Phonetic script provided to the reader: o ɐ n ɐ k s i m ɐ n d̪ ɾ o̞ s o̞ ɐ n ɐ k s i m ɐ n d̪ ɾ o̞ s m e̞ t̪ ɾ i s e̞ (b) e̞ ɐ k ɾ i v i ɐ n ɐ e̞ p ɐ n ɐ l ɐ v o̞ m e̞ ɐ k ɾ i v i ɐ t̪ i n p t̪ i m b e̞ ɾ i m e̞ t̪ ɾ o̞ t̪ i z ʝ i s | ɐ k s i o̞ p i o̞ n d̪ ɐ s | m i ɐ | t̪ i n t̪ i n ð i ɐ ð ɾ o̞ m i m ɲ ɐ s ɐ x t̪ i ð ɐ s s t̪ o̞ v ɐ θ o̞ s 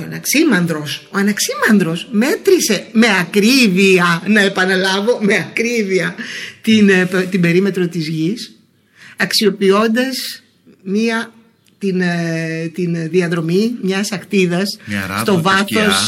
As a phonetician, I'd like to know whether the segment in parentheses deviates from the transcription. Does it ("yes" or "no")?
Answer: yes